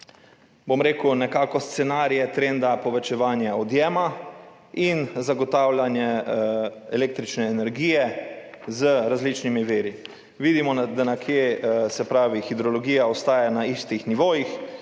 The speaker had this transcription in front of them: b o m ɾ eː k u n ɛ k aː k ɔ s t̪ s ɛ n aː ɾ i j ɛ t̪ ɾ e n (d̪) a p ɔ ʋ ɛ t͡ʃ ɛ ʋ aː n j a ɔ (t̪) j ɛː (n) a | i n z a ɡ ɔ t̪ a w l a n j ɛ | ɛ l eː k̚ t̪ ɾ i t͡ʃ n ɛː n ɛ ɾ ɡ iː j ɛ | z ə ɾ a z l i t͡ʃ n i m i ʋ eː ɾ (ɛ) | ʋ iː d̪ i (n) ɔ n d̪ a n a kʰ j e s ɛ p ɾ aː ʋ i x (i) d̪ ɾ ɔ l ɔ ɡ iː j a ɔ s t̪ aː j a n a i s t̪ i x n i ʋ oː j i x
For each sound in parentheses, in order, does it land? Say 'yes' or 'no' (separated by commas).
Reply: yes, no, no, no, no, yes